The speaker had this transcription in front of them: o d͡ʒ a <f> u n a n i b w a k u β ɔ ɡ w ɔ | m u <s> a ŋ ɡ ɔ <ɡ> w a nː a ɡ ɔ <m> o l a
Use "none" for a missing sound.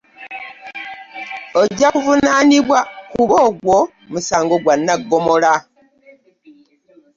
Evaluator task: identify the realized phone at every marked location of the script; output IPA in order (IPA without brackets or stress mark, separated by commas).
v, s, ɡ, m